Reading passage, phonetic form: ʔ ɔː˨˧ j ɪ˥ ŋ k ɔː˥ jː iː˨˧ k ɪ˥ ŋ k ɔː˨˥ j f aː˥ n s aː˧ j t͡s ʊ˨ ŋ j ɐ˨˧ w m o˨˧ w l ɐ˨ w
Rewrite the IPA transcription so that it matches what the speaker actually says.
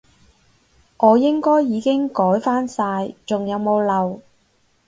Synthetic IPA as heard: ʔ ɔː˨˧ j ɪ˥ ŋ k ɔː˥ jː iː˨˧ k ɪ˥ ŋ k ɔː˨˥ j f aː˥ n s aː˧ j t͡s ʊ˨ ŋ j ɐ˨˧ w m o˨˧ w l ɐ˨ w